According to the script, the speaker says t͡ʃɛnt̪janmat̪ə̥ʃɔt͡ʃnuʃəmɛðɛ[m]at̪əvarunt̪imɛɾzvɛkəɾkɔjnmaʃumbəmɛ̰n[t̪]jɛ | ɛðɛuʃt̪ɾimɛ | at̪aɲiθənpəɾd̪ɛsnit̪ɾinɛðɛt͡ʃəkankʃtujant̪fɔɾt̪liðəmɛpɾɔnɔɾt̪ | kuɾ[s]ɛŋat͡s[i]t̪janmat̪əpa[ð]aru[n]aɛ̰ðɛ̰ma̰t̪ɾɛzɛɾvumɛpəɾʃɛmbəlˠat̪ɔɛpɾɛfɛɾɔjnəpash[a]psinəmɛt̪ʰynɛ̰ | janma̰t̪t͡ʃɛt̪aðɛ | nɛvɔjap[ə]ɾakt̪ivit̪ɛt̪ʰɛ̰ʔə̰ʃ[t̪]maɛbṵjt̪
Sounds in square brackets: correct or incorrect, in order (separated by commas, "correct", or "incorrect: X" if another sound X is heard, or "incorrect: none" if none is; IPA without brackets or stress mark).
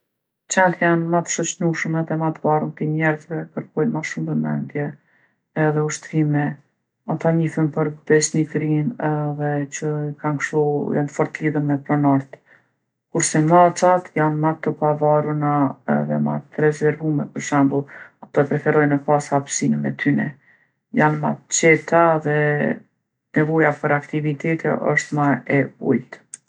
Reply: correct, incorrect: d̪, correct, incorrect: a, incorrect: v, correct, correct, correct, correct